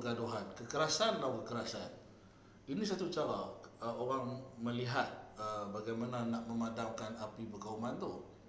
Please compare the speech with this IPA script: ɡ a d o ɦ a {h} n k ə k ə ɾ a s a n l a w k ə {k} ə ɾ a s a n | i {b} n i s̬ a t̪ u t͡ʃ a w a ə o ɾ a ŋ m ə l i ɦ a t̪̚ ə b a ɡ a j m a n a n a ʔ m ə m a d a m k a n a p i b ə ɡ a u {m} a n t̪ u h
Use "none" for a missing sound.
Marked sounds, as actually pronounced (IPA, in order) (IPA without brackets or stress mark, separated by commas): none, k, none, m